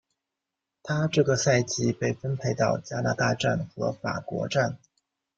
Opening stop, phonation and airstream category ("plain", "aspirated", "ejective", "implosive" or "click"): aspirated